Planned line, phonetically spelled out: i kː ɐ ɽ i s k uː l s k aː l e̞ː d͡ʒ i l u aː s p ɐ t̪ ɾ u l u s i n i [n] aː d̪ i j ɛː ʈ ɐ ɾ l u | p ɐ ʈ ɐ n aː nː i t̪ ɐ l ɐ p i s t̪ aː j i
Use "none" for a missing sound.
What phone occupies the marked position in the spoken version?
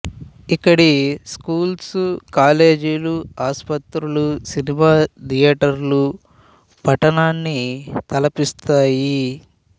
m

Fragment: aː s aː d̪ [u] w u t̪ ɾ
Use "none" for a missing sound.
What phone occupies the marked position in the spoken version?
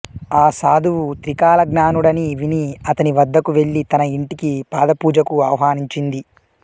u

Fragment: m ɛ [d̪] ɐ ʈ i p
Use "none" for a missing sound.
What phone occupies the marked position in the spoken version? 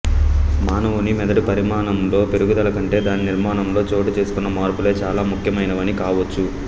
d̪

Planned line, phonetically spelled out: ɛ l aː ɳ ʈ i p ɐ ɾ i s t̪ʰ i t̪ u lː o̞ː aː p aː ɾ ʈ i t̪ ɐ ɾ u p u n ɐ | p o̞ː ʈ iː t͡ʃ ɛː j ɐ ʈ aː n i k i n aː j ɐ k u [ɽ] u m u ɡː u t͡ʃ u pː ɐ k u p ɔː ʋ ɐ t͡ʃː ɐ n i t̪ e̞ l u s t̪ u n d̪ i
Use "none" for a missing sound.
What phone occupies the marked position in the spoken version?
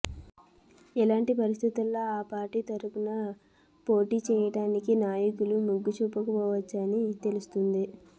l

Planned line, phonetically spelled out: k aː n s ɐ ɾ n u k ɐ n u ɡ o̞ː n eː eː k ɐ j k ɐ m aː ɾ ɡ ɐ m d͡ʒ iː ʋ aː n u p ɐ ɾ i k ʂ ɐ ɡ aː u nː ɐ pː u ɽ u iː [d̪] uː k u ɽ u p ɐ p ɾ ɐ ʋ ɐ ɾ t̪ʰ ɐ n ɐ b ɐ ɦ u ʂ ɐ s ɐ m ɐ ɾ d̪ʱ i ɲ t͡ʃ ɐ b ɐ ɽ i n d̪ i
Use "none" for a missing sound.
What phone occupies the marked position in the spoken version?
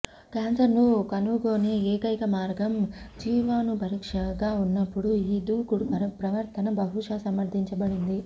d̪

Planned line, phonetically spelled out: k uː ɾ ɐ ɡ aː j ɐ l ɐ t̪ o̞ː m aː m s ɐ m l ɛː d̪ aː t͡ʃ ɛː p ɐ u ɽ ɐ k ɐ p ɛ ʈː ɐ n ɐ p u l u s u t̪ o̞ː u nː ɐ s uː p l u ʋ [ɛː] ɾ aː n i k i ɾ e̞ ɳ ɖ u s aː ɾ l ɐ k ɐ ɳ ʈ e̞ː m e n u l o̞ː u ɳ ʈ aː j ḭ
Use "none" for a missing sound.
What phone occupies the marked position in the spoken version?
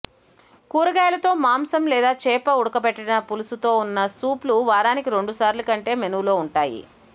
aː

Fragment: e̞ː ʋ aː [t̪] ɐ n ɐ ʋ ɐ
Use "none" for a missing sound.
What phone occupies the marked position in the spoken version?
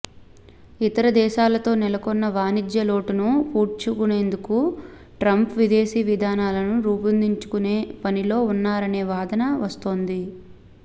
d̪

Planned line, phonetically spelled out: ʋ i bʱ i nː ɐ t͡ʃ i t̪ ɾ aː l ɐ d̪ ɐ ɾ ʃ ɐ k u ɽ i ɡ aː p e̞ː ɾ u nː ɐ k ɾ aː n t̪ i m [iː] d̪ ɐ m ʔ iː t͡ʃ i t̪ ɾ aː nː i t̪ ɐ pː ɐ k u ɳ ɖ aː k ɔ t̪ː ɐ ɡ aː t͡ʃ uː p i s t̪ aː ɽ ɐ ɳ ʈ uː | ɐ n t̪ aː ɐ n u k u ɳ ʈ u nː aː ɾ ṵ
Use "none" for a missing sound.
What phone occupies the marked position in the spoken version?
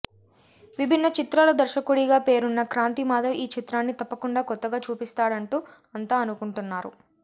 aː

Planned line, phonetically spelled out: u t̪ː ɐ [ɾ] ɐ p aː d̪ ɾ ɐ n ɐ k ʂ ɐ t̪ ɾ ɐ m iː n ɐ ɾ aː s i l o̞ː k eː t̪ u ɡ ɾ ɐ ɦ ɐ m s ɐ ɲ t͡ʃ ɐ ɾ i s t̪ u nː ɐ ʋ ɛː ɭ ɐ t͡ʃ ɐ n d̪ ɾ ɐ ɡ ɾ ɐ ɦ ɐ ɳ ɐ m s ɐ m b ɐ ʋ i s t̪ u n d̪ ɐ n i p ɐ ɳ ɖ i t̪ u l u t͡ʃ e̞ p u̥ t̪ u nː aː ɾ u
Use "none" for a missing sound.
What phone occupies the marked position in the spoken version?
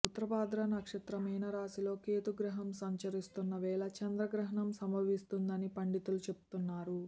ɾ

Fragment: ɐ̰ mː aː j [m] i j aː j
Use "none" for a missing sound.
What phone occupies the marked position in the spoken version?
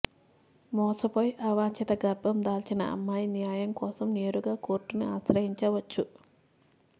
n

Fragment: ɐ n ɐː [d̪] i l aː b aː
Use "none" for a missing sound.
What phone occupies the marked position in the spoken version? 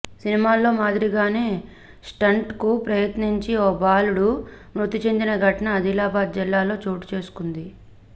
d̪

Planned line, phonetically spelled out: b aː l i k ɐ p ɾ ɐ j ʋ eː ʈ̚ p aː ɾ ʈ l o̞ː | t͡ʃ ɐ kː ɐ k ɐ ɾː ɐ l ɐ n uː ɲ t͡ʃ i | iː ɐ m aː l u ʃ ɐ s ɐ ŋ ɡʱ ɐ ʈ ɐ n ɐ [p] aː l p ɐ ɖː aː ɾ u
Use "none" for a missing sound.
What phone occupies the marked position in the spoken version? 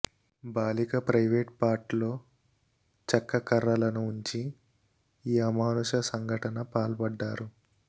p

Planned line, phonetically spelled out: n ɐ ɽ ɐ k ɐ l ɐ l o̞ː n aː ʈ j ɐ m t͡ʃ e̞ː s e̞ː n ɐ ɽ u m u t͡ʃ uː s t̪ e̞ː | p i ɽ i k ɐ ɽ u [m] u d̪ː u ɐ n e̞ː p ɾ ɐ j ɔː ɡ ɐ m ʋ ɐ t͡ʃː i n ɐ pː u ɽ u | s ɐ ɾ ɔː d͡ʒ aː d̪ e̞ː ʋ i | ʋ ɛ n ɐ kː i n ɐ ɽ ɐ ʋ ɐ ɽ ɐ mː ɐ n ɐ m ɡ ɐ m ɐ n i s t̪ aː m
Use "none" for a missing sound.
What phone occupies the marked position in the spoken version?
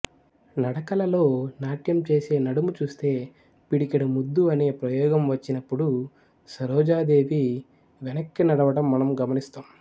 m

